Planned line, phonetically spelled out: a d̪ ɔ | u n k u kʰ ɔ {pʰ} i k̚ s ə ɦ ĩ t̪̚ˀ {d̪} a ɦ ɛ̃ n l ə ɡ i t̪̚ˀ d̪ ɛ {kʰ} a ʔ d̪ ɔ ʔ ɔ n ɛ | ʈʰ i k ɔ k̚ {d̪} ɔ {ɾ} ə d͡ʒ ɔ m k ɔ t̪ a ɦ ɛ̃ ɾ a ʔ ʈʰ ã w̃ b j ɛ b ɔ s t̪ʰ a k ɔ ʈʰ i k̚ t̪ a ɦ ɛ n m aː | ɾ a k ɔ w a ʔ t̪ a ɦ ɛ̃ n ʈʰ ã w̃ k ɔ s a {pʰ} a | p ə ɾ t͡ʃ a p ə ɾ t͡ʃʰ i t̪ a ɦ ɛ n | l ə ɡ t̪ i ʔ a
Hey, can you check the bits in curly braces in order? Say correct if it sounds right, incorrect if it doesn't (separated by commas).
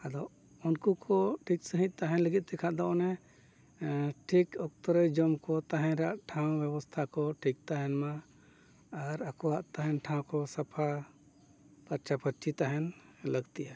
incorrect, incorrect, correct, incorrect, correct, correct